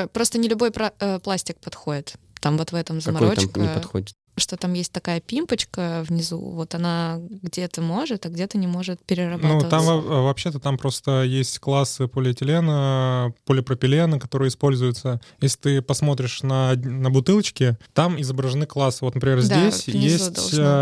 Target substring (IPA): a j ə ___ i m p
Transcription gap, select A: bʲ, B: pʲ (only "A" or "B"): B